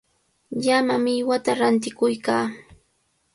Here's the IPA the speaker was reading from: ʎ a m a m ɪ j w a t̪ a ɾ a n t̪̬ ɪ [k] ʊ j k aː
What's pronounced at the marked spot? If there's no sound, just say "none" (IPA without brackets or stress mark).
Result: k